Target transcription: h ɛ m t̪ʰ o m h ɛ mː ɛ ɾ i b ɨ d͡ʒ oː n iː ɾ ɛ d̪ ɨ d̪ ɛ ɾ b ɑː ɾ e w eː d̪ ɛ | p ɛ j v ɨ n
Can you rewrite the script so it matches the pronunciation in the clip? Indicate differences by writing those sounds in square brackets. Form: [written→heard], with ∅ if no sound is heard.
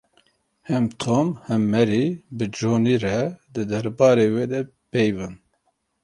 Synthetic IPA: h ɛ m t̪ʰ o m h ɛ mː ɛ ɾ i b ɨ d͡ʒ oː n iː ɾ ɛ d̪ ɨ d̪ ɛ ɾ b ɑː ɾ e w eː d̪ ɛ | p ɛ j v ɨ n